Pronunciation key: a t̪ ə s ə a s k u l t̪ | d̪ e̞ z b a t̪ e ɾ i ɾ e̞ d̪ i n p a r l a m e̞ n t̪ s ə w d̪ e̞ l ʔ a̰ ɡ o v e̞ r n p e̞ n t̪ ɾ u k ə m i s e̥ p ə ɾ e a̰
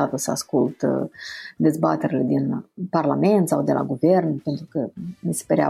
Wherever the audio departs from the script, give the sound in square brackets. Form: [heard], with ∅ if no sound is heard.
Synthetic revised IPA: a t̪ ə s ə a s k u l t̪ | d̪ e̞ z b a t̪ e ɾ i [l] e̞ d̪ i n p a r l a m e̞ n t̪ s [a] w d̪ e̞ l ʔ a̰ ɡ [u] v e̞ r n p e̞ n t̪ ɾ u k ə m i s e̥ p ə ɾ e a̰